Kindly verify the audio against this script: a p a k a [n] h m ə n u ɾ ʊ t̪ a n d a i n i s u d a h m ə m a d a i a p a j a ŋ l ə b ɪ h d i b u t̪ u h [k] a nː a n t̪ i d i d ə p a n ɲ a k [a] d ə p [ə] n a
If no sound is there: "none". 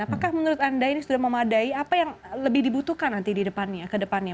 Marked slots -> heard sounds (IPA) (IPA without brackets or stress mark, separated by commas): none, k, ə, a